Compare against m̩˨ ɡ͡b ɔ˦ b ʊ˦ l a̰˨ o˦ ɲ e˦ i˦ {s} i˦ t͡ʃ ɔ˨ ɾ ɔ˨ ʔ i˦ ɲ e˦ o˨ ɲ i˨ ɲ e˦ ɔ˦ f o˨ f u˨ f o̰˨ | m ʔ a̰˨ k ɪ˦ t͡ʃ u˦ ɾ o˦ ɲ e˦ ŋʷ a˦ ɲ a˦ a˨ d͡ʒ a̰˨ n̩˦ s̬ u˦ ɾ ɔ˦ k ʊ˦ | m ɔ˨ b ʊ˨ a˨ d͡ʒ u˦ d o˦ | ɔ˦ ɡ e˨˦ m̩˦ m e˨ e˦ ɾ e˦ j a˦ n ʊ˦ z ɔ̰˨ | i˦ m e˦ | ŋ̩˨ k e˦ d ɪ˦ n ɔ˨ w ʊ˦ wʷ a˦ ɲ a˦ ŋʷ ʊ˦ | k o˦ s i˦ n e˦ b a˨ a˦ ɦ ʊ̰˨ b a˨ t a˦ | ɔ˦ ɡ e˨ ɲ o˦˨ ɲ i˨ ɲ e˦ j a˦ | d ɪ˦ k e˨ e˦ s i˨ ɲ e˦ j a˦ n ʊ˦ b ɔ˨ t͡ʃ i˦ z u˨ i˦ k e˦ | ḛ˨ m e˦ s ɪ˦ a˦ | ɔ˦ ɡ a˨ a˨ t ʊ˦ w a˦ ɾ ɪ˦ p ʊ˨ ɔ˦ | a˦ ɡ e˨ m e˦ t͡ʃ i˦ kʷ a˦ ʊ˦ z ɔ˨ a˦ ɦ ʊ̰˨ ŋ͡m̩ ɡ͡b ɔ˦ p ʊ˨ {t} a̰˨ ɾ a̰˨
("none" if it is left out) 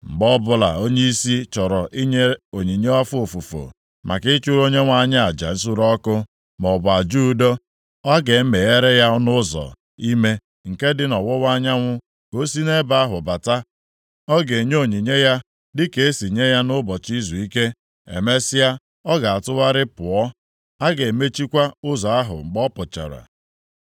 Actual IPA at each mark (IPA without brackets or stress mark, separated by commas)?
s, t͡ʃ